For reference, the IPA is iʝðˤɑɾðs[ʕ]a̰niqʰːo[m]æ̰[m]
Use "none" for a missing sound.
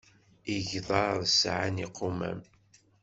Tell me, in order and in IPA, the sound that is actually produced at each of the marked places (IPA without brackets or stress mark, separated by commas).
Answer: ʕ, m, m